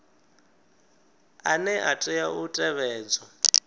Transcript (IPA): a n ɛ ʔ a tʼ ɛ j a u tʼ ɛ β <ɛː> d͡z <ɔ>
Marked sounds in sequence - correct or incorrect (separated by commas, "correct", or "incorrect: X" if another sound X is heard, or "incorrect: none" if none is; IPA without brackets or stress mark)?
correct, correct